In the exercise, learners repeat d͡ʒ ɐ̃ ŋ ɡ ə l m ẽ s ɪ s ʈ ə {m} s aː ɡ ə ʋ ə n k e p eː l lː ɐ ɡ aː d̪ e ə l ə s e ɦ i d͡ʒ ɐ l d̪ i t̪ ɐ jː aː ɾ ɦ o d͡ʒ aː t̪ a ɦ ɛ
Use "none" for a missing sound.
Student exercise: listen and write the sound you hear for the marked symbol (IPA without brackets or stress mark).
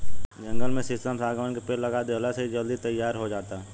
m